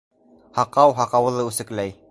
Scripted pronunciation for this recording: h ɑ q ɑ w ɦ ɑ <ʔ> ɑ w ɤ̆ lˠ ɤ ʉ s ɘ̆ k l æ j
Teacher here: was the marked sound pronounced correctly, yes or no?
no